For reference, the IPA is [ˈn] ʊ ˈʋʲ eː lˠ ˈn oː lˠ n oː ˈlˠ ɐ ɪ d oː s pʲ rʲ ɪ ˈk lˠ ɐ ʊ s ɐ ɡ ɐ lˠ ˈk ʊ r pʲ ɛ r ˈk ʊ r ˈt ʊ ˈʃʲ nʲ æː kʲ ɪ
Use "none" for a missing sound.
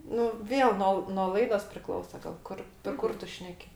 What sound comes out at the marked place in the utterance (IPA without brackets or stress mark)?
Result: n